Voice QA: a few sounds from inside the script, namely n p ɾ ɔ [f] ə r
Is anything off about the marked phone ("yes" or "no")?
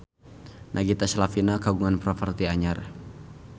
no